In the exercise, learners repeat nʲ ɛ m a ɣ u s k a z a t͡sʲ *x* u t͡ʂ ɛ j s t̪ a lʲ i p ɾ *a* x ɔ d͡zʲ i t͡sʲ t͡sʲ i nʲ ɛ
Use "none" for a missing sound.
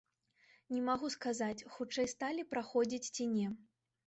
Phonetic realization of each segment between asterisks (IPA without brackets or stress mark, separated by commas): x, a